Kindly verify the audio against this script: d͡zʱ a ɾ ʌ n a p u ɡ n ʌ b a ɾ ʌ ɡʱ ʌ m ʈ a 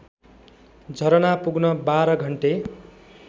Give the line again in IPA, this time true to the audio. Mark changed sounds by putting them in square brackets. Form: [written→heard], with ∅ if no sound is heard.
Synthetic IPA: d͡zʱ [a→ʌ] ɾ ʌ n a p u ɡ n ʌ b a ɾ ʌ ɡʱ ʌ [m→ɳ] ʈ [a→e]